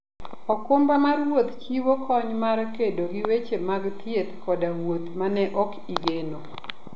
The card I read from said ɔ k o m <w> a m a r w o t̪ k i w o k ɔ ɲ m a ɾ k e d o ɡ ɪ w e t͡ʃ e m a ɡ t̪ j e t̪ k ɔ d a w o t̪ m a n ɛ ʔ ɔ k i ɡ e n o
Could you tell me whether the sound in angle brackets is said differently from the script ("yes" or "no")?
yes